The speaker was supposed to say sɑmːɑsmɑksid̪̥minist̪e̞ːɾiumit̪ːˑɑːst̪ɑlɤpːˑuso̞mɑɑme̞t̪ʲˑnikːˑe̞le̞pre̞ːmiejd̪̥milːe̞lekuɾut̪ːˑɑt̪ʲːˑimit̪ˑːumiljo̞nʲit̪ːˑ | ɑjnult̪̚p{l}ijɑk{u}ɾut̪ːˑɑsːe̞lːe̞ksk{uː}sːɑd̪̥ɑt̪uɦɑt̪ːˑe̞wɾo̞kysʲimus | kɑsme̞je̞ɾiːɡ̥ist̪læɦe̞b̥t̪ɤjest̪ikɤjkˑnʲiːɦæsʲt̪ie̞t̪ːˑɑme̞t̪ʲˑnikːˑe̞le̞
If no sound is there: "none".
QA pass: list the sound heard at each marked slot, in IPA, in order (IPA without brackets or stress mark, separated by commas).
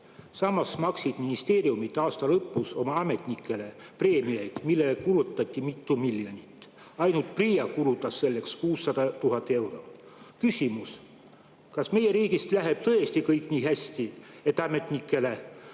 r, u, uː